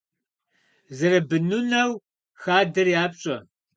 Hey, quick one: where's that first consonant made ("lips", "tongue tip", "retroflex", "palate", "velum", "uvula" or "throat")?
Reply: tongue tip